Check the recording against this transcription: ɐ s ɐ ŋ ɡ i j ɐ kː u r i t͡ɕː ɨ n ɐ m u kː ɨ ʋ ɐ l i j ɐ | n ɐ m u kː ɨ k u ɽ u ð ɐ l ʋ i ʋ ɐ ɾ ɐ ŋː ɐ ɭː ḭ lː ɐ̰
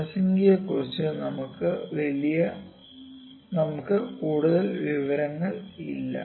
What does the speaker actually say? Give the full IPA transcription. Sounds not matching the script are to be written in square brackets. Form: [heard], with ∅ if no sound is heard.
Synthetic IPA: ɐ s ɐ ŋ ɡ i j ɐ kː u r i t͡ɕː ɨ n ɐ m u kː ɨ ʋ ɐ l i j ɐ | n ɐ m u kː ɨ k [uː] ɽ u ð ɐ l ʋ i ʋ ɐ ɾ ɐ ŋː ɐ [ɭ] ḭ lː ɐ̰

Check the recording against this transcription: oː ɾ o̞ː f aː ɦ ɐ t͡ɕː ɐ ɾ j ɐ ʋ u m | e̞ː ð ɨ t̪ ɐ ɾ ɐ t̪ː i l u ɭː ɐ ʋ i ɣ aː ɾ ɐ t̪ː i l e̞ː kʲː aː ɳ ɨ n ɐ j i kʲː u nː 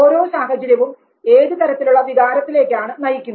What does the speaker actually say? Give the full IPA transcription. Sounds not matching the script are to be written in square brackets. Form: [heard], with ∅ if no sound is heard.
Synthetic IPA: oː ɾ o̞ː [s] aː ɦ ɐ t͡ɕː ɐ ɾ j ɐ ʋ u m | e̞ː ð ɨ t̪ ɐ ɾ ɐ t̪ː i l u ɭː ɐ ʋ i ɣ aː ɾ ɐ t̪ː i l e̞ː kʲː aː ɳ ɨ n ɐ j i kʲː u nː

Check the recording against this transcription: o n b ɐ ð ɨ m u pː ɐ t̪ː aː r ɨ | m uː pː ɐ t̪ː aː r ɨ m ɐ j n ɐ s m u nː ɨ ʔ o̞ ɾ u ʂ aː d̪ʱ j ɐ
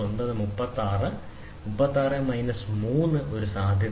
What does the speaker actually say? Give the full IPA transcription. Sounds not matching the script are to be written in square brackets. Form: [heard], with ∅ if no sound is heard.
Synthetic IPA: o n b ɐ ð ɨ m u pː ɐ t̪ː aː r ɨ | m [u] pː ɐ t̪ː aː r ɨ m ɐ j n ɐ s m [uː] nː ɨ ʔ o̞ ɾ u [s] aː d̪ʱ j ɐ

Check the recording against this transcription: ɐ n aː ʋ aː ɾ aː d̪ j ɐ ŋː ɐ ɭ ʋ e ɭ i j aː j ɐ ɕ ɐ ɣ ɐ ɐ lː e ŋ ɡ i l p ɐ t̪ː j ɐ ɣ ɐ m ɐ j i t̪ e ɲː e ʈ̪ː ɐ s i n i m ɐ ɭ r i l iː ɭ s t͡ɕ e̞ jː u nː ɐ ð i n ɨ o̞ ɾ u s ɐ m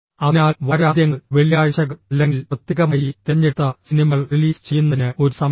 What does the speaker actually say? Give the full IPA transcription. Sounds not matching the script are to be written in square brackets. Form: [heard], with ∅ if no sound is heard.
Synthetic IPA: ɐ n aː ʋ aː ɾ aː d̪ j ɐ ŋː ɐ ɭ ʋ e ɭ i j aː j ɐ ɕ ɐ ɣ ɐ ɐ lː e ŋ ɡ i l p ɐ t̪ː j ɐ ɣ ɐ m ɐ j i t̪ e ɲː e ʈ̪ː ɐ s i n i m ɐ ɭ r i l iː [∅] s t͡ɕ e̞ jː u nː ɐ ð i n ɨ o̞ ɾ u s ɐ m

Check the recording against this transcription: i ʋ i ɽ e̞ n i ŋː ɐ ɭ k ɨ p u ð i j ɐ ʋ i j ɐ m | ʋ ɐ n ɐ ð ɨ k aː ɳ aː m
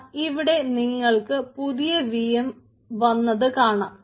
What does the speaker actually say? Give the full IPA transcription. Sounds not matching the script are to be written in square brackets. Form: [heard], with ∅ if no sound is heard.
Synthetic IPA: i ʋ i ɽ e̞ n i ŋː ɐ ɭ k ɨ p u ð i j ɐ ʋ i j ɐ m | ʋ ɐ [nː] ɐ ð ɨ k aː ɳ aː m

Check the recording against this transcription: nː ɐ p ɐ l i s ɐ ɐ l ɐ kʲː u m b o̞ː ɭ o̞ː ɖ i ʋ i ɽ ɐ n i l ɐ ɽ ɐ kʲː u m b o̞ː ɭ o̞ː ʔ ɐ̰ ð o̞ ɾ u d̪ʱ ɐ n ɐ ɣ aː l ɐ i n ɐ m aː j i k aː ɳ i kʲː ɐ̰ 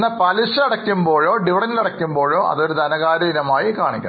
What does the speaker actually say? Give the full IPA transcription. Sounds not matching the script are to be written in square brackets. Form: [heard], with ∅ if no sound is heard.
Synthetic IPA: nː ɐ p ɐ l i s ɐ ɐ [ɽ] ɐ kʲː u m b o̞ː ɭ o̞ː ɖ i ʋ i ɽ ɐ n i l ɐ ɽ ɐ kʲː u m b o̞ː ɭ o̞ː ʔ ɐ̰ ð o̞ ɾ u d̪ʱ ɐ n ɐ ɣ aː [ɾ] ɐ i n ɐ m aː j i k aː ɳ i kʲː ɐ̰

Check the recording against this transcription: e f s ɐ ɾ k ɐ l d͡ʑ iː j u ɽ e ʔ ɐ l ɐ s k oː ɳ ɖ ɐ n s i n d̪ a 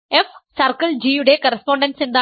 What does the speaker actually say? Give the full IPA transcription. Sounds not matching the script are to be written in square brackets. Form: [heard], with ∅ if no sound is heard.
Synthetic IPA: e f s ɐ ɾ k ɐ l d͡ʑ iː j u ɽ e [k] ɐ [ɾ] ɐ s [p] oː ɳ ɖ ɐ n s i n d̪ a

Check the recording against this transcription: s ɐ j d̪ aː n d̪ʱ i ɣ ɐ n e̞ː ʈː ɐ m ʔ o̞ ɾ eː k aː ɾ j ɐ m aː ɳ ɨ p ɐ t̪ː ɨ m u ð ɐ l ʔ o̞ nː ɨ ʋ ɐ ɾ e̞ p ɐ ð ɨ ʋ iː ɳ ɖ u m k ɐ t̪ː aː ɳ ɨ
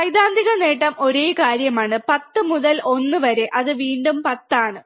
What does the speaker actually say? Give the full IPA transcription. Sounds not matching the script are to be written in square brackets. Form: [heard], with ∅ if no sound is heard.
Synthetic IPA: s ɐ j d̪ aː n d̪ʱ i ɣ ɐ n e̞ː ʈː ɐ m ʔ o̞ ɾ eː k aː ɾ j ɐ m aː ɳ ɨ p ɐ t̪ː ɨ m u ð ɐ l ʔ o̞ nː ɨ ʋ ɐ ɾ e̞ [ʔ] ɐ ð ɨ ʋ iː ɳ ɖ u m [p] ɐ t̪ː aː ɳ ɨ

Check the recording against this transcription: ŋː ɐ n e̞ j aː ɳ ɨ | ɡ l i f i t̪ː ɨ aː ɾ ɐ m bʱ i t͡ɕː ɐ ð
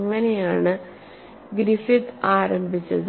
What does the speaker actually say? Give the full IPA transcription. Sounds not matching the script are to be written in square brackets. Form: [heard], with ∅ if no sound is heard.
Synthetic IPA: ŋː ɐ n e̞ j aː ɳ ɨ | ɡ [ɾ] i f i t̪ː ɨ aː ɾ ɐ m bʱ i t͡ɕː ɐ ð

